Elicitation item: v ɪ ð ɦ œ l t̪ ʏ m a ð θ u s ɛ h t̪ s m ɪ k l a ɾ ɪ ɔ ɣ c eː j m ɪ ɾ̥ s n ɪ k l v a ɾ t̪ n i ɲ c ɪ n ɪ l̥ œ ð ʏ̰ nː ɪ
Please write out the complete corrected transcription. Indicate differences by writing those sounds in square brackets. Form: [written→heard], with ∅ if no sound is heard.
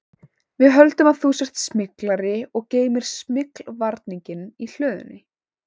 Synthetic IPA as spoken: v ɪ ð ɦ œ l t̪ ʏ m a ð θ u s ɛ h t̪ s m ɪ k l a ɾ ɪ ɔ ɣ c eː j m ɪ ɾ̥ s [n→m] ɪ k l v a ɾ t̪ n i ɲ c ɪ n [ɪ→i] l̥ [œ→œː] ð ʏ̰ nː ɪ